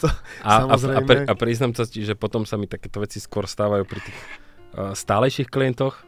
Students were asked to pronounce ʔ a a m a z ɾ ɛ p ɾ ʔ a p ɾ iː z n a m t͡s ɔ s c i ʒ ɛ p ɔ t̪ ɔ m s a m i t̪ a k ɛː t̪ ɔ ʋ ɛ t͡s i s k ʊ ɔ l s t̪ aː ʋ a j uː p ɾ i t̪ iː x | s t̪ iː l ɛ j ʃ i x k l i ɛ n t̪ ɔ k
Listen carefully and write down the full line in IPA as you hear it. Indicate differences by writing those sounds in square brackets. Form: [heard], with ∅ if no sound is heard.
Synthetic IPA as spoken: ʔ a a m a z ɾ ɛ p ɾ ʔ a p ɾ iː z n a m t͡s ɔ s c i ʒ ɛ p ɔ t̪ ɔ m s a m i t̪ a k ɛː t̪ ɔ ʋ ɛ t͡s i s k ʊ ɔ [ɾ] s t̪ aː ʋ a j uː p ɾ i t̪ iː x | s t̪ [aː] l ɛ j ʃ i x k l i ɛ n t̪ ɔ [x]